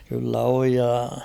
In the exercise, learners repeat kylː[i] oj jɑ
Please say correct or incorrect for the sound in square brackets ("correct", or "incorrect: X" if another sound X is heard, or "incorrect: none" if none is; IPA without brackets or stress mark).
incorrect: æ